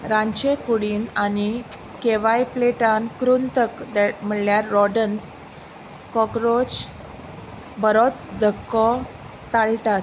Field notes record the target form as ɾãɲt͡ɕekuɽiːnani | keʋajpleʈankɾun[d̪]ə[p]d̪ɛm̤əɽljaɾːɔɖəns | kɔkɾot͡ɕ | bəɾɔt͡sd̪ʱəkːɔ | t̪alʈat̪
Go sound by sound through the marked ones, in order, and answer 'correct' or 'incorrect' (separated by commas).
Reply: incorrect, incorrect